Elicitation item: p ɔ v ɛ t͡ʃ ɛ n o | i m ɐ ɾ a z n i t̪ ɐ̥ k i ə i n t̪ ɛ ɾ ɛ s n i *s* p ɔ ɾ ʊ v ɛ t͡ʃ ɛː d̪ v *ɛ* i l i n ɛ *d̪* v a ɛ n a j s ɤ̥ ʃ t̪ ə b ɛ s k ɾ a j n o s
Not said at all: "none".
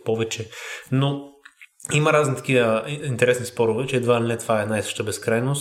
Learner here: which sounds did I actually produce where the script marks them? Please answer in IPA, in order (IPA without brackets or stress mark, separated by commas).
s, a, t̪